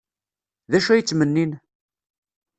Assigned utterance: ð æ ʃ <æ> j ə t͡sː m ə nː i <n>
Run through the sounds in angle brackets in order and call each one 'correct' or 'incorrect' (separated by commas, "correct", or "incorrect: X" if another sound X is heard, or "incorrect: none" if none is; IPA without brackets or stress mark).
correct, correct